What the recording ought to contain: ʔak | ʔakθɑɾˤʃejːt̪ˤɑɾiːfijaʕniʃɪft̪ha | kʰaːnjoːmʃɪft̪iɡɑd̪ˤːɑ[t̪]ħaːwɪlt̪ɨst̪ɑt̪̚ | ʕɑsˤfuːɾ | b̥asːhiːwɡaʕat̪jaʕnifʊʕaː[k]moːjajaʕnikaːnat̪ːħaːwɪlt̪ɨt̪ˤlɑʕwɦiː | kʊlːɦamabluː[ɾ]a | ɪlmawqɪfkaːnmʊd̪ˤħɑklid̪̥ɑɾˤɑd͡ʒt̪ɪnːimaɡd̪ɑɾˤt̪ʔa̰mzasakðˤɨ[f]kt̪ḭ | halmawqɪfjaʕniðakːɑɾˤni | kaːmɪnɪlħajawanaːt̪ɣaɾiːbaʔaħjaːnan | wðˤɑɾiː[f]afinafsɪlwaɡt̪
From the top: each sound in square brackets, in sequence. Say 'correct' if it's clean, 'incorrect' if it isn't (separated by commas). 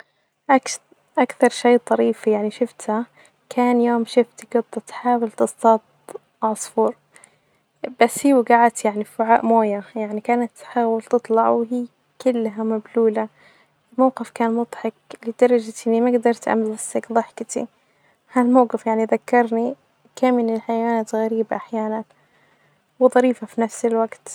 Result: correct, incorrect, incorrect, incorrect, correct